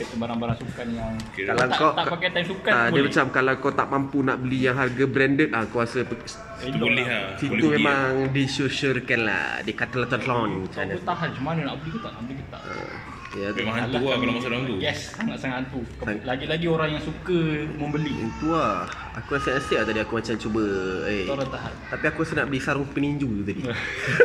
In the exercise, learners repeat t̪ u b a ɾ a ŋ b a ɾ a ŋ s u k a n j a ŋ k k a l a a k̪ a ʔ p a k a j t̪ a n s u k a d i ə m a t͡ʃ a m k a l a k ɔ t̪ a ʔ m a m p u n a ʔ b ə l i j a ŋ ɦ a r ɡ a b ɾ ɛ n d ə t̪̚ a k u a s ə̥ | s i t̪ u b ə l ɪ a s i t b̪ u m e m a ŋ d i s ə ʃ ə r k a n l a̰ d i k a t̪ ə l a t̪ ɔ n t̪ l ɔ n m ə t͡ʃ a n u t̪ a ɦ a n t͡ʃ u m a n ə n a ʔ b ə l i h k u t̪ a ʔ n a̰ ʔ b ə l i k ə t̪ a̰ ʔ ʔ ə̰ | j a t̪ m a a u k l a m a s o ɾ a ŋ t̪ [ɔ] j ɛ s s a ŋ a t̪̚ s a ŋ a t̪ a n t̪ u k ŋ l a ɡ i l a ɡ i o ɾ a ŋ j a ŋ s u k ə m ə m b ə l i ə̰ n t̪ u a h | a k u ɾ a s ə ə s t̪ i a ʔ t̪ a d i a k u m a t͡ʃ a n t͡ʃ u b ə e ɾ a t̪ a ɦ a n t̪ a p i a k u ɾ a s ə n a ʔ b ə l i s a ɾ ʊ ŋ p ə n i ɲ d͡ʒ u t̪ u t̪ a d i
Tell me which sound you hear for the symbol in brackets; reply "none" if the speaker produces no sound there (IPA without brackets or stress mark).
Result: u